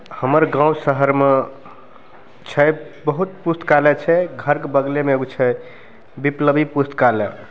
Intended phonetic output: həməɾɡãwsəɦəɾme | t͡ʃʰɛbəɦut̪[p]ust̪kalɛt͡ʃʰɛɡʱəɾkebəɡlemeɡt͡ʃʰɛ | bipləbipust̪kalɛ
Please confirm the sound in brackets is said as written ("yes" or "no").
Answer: yes